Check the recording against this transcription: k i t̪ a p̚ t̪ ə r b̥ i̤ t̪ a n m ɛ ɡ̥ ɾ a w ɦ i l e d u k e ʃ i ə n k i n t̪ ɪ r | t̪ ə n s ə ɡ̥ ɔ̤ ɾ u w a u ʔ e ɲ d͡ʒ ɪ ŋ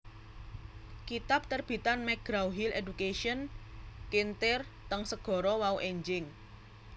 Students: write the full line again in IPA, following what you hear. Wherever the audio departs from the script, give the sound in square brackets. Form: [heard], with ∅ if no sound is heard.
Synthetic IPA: k i t̪ a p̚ t̪ ə r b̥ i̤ t̪ a n m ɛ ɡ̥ ɾ a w ɦ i l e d u k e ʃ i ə n k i n t̪ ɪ r | t̪ ə [ŋ] s ə ɡ̥ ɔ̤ ɾ [ɔ] w a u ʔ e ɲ d͡ʒ ɪ ŋ